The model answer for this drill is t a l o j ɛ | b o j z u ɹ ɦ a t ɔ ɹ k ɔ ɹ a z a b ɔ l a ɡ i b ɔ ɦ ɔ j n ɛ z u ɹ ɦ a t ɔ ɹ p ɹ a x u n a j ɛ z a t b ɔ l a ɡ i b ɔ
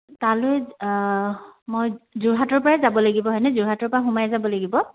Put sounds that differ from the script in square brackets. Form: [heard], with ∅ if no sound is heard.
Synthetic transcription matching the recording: t a l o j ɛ | [m] o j z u ɹ ɦ a t ɔ ɹ [p] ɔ ɹ a z a b ɔ l a ɡ i b ɔ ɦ ɔ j n ɛ z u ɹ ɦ a t ɔ ɹ p ɹ a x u [m] a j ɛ z a [∅] b ɔ l a ɡ i b ɔ